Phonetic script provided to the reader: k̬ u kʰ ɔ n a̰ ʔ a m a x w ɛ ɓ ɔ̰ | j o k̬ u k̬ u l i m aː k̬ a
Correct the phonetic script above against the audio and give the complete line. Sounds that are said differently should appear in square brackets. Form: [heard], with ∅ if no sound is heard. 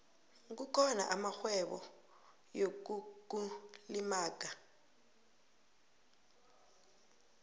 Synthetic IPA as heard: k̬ u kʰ ɔ n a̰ ʔ a m a x w ɛ ɓ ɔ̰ | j o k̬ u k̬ u l i m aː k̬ a